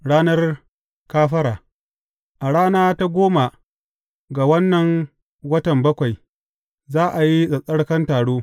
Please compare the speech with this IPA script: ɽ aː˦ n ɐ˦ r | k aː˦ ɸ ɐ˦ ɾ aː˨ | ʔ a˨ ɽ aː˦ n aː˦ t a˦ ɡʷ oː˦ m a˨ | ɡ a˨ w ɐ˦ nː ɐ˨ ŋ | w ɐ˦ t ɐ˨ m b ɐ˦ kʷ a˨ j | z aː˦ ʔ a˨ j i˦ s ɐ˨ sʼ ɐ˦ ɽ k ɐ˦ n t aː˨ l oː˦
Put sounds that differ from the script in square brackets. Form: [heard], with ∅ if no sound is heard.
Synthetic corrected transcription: ɽ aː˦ n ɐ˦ r | k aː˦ ɸ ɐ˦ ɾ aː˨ | ʔ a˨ ɽ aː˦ n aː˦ t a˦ ɡʷ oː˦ m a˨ | ɡ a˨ w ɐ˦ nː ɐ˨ ŋ | w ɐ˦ t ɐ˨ m b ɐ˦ kʷ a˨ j | z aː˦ ʔ a˨ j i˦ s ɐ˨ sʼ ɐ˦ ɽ k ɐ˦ n t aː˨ [ɽ] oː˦